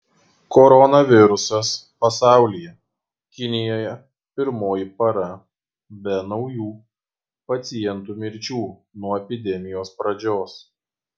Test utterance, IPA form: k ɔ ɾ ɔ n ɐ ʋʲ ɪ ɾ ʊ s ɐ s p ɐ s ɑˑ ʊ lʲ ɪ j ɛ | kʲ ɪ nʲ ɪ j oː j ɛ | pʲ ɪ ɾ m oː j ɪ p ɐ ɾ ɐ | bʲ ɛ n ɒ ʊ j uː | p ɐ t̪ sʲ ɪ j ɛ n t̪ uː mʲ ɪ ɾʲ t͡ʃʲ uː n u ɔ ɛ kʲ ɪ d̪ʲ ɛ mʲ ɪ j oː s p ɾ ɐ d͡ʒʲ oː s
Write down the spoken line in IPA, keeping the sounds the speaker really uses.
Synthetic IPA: k ɔ ɾ ɔ n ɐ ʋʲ ɪ ɾ ʊ s ɐ s p ɐ s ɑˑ ʊ lʲ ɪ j ɛ | kʲ ɪ nʲ ɪ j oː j ɛ | pʲ ɪ ɾ m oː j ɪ p ɐ ɾ ɐ | bʲ ɛ n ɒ ʊ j uː | p ɐ t̪ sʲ ɪ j ɛ n t̪ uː mʲ ɪ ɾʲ t͡ʃʲ uː n u ɔ ɛ pʲ ɪ d̪ʲ ɛ mʲ ɪ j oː s p ɾ ɐ d͡ʒʲ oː s